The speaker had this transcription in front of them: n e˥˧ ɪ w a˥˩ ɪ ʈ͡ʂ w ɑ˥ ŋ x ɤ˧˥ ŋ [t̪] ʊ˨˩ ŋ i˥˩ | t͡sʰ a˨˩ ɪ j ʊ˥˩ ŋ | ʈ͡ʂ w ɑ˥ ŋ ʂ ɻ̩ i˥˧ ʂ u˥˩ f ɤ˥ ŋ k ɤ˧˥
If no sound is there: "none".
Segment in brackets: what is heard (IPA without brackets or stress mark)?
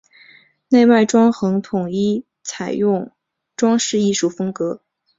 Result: t̪ʰ